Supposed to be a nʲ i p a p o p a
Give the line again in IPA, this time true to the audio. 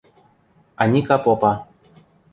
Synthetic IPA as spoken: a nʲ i k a p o p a

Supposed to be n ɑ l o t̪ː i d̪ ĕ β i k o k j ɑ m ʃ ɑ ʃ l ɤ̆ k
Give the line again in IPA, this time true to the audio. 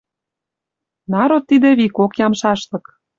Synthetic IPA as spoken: n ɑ ɾ o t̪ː i d̪ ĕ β i k o k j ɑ m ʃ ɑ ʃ l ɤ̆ k

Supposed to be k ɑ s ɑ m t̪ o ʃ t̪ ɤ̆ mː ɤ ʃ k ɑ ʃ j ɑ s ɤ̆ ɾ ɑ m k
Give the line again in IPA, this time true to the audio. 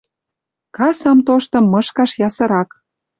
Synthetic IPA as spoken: k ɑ s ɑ m t̪ o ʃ t̪ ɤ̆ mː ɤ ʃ k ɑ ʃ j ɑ s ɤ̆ ɾ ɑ k

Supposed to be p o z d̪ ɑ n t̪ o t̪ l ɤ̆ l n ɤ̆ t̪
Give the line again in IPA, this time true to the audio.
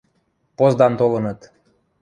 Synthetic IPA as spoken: p o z d̪ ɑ n t̪ o l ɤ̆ n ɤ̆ t̪

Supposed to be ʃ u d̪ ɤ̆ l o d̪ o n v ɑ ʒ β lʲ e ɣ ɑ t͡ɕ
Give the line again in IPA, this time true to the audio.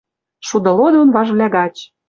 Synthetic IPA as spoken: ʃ u d̪ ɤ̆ l o d̪ o n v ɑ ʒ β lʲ æ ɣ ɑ t͡ɕ

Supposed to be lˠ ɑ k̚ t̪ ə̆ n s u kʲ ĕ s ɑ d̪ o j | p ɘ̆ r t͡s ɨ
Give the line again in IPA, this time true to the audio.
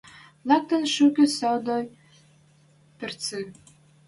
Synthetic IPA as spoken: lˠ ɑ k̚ t̪ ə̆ n ʃ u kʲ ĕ s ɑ d̪ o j | p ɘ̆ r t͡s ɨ

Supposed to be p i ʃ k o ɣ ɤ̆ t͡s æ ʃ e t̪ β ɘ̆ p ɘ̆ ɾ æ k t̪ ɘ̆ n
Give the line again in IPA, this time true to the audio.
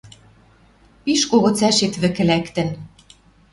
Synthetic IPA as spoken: p i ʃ k o ɣ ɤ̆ t͡s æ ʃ e t̪ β ɘ̆ k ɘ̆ l æ k t̪ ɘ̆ n

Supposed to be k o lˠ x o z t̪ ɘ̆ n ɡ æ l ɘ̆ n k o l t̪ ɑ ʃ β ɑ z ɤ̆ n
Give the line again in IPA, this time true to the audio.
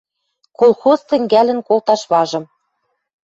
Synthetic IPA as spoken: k o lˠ x o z t̪ ɘ̆ ŋ ɡ æ l ɘ̆ n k o l t̪ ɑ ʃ β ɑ ʒ ɤ̆ m

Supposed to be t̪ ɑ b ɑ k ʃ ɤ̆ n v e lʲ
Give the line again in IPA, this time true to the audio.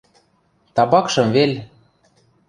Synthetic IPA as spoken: t̪ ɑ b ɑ k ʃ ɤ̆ m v e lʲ

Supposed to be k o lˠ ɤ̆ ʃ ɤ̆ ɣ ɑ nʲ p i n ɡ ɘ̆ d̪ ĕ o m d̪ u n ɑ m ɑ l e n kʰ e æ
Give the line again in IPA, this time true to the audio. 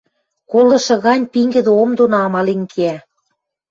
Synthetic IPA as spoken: k o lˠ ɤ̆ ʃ ɤ̆ ɣ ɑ nʲ p i ŋ ɡ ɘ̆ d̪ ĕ o m d̪ o n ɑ m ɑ l e n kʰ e æ

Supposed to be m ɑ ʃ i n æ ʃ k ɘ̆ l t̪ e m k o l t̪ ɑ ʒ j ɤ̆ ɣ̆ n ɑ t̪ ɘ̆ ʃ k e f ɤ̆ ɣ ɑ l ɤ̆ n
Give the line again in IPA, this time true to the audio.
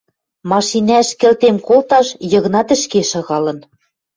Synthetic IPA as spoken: m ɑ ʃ i n æ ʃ k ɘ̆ l t̪ e m k o l t̪ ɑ ʃ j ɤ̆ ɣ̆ n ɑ t̪ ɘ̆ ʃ k e ʃ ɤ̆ ɣ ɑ l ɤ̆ n

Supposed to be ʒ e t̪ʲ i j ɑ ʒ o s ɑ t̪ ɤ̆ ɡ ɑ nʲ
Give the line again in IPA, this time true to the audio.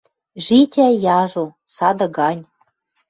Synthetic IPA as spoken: ʒ i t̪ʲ æ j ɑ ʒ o s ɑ d̪ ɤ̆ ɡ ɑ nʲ

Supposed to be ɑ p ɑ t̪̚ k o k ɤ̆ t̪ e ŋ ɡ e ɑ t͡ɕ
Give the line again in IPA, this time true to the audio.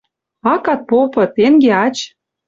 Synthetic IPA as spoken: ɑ k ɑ t̪̚ p o p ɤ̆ t̪ e ŋ ɡ e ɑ t͡ɕ

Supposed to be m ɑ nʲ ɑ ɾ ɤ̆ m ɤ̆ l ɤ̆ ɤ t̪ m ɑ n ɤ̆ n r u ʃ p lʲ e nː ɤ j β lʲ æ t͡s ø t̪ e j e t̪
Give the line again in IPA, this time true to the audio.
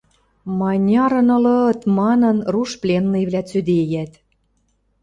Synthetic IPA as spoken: m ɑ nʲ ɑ ɾ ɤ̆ n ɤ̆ l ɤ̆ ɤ t̪ m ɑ n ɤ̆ n r u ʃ p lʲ e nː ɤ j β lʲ æ t͡s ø d̪ e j æ t̪

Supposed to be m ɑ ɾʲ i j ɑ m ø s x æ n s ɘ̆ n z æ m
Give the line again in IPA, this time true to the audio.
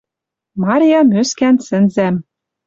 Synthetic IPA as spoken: m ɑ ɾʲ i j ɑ m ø s k æ n s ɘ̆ n z æ m

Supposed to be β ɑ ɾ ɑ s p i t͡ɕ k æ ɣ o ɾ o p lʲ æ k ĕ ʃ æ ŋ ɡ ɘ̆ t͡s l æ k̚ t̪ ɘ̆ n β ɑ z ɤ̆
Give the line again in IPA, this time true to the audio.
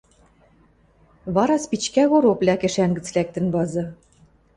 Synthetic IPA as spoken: β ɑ ɾ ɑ s p i t͡ɕ k æ ɣ o ɾ o p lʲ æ k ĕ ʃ æ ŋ ɡ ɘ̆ t͡s l æ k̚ t̪ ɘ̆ n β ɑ z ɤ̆

